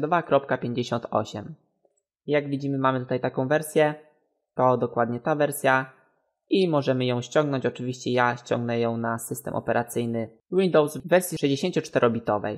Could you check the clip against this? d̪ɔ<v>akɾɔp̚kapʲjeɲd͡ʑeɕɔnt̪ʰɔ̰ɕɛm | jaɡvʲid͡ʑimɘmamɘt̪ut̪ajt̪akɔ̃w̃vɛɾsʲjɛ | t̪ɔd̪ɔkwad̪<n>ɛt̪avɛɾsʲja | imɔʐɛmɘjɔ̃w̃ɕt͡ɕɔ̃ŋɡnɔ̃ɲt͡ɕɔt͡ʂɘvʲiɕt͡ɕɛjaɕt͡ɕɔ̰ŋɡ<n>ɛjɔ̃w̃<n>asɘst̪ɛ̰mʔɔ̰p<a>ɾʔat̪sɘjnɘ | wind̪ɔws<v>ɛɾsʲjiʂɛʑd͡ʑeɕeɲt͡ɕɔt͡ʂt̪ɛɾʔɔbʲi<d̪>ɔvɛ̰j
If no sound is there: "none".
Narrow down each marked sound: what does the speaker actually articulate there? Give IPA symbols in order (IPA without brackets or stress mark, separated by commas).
v, ɲ, n, n, ɛ, v, t̪